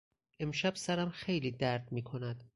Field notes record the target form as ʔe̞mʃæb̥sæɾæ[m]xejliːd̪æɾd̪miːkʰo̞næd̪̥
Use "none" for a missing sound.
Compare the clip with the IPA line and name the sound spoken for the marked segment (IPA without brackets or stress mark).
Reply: m